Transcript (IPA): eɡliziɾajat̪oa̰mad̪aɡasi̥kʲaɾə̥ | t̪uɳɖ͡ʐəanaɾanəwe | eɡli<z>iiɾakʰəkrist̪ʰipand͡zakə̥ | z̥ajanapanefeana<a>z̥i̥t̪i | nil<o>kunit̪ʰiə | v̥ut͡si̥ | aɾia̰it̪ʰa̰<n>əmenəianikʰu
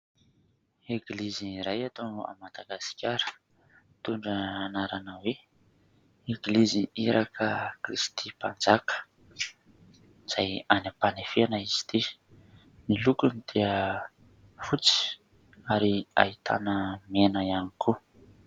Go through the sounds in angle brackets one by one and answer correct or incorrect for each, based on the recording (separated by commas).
correct, incorrect, incorrect, correct